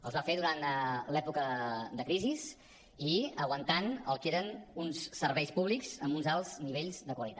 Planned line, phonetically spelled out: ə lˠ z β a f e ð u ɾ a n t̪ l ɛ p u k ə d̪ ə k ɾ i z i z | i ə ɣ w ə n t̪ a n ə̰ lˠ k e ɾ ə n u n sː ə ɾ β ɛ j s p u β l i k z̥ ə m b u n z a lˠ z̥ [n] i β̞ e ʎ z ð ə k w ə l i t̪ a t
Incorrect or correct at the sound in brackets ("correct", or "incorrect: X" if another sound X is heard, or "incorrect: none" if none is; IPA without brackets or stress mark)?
correct